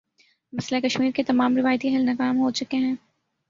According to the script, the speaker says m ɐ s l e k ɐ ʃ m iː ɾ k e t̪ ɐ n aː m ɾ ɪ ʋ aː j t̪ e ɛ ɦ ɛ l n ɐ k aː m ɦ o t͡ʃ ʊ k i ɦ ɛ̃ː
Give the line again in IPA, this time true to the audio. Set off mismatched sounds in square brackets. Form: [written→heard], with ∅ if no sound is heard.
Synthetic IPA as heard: m ɐ s l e k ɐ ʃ m iː ɾ k e t̪ ɐ [n→m] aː m ɾ ɪ ʋ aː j t̪ [e→i] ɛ ɦ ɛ l n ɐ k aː m ɦ o t͡ʃ ʊ k [i→e] ɦ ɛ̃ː